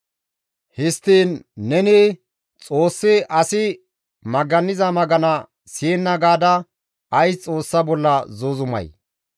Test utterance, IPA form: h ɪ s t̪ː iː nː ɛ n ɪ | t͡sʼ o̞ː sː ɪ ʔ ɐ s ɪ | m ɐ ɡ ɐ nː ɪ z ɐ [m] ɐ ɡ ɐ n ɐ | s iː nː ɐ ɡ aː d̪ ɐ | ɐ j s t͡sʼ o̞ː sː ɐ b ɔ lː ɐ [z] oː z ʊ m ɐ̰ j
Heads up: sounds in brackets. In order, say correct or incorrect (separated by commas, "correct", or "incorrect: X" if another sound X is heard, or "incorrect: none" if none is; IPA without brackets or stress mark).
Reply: correct, correct